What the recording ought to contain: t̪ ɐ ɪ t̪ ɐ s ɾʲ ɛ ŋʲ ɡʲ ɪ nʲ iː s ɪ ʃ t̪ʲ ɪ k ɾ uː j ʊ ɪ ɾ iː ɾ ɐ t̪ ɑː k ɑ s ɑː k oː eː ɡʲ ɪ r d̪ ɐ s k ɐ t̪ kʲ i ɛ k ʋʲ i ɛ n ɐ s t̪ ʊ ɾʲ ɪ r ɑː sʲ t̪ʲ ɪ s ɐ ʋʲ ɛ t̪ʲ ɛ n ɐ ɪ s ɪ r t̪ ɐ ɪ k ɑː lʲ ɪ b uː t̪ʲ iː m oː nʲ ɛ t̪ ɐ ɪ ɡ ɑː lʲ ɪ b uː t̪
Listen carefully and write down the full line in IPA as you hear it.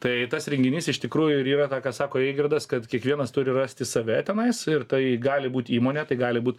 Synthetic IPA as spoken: t̪ ɐ ɪ t̪ ɐ s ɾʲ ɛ ŋʲ ɡʲ ɪ nʲ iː s ɪ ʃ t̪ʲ ɪ k ɾ uː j ʊ ɪ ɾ iː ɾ ɐ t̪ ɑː k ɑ s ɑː k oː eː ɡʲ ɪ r d̪ ɐ s k ɐ t̪ kʲ i ɛ k ʋʲ i ɛ n ɐ s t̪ ʊ ɾʲ ɪ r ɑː sʲ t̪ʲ ɪ s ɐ ʋʲ ɛ t̪ʲ ɛ n ɐ ɪ s ɪ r t̪ ɐ ɪ ɡ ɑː lʲ ɪ b uː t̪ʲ iː m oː nʲ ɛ t̪ ɐ ɪ ɡ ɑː lʲ ɪ b uː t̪

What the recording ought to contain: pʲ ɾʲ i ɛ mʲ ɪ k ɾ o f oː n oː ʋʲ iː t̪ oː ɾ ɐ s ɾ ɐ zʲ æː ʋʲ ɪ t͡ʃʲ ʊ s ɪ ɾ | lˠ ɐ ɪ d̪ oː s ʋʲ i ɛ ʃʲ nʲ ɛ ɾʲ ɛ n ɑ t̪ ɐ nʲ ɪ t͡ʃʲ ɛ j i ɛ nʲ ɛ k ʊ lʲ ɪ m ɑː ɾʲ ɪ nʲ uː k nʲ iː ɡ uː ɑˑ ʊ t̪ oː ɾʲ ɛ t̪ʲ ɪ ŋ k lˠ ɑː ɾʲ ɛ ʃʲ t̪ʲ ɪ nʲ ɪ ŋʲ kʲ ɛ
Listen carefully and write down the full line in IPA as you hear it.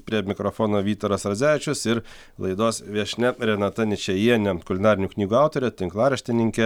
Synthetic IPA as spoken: pʲ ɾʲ i ɛ mʲ ɪ k ɾ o f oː n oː ʋʲ iː t̪ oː ɾ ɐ s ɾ ɐ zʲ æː ʋʲ ɪ t͡ʃʲ ʊ s ɪ ɾ | lˠ ɐ ɪ d̪ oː s ʋʲ i ɛ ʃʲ nʲ ɛ ɾʲ ɛ n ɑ t̪ ɐ nʲ ɪ t͡ʃʲ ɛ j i ɛ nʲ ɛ k ʊ lʲ ɪ n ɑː ɾʲ ɪ nʲ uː k nʲ iː ɡ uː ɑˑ ʊ t̪ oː ɾʲ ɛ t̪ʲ ɪ ŋ k lˠ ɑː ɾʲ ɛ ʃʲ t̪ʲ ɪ nʲ ɪ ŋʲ kʲ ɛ

